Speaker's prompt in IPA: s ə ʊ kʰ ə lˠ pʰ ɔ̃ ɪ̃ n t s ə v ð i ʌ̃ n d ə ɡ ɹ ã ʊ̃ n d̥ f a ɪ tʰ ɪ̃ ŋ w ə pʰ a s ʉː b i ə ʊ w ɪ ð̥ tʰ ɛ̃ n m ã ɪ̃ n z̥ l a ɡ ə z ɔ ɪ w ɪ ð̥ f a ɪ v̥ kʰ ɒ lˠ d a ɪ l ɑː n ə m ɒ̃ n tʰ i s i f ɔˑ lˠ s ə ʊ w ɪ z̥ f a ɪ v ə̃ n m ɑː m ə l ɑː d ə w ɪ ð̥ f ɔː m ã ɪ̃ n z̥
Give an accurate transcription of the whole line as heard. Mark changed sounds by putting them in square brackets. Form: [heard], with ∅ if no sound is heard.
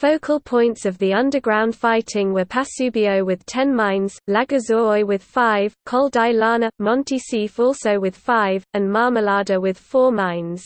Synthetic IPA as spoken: [f] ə ʊ kʰ ə lˠ pʰ ɔ̃ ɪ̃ n t s ə v ð i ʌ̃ n d ə ɡ ɹ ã ʊ̃ n d̥ f a ɪ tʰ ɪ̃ ŋ w ə pʰ a s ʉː b i ə ʊ w ɪ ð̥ tʰ ɛ̃ n m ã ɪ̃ n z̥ l a ɡ ə z ɔ ɪ w ɪ ð̥ f a ɪ v̥ kʰ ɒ lˠ d a ɪ l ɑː n ə m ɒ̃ n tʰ i s i f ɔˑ lˠ s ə ʊ w ɪ [ð̥] f a ɪ v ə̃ n m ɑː m ə l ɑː d ə w ɪ ð̥ f ɔː m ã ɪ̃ n z̥